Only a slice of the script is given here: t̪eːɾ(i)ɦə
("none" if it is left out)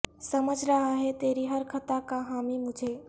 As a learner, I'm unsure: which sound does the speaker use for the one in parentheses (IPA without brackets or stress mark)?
i